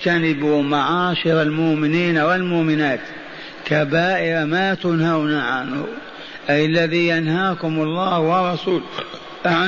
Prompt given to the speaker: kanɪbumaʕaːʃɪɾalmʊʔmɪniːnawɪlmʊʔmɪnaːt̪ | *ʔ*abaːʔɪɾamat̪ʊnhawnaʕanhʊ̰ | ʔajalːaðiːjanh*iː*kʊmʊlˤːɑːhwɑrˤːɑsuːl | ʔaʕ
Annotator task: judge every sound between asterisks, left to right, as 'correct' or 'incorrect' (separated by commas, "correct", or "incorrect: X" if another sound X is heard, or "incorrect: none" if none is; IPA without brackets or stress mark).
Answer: incorrect: k, incorrect: aː